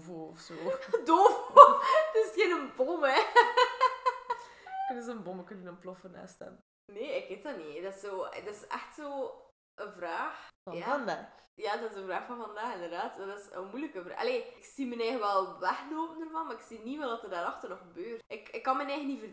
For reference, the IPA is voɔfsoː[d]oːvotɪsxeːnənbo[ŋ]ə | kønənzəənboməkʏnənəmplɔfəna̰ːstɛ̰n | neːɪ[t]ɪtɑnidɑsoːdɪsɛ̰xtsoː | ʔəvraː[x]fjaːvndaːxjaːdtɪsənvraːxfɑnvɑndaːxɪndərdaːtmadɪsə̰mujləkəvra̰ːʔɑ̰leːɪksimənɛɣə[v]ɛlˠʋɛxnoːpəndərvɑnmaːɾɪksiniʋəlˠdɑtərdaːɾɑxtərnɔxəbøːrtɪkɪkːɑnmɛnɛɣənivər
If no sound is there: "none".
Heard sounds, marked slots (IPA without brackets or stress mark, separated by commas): d, m, k, x, ʋ